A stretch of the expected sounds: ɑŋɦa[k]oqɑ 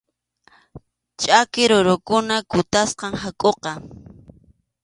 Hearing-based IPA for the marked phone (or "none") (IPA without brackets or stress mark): kʼ